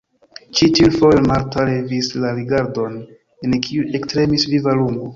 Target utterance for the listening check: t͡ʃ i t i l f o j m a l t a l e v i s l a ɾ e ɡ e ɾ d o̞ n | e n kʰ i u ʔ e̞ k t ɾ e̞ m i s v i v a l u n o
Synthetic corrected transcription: t͡ʃ i t i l f o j m a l t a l e v i s l a ɾ i ɡ a ɾ d o̞ n | e n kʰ i u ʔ e̞ k t ɾ e̞ m i s v i v a l u n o